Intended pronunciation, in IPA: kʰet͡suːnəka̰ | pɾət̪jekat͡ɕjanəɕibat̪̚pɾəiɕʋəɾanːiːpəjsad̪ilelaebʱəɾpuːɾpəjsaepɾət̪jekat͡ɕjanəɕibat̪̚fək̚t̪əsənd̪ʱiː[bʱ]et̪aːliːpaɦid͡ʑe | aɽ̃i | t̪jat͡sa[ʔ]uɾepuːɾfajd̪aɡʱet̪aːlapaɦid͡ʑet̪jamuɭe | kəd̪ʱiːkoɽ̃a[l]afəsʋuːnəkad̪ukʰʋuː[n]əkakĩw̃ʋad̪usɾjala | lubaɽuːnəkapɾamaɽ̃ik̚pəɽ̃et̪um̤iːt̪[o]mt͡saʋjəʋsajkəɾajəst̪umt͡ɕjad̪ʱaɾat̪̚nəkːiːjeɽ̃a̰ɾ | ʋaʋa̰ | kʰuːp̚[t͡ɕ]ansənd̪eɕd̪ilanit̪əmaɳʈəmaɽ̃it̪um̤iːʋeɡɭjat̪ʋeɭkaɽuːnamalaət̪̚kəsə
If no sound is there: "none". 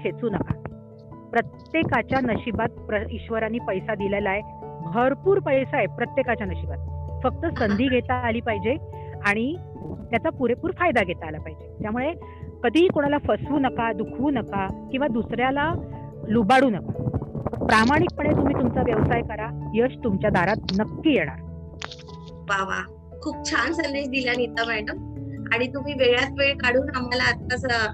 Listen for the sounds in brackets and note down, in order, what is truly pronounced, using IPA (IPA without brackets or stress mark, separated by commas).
ɡʱ, p, l, n, u, t͡ɕʰ